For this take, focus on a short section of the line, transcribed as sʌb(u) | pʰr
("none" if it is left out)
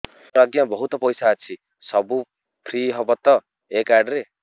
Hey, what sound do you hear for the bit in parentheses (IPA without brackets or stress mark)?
u